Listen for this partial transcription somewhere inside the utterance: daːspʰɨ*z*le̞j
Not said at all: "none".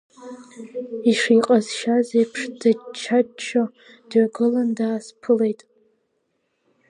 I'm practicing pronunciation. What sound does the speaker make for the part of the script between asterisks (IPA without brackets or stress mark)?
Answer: none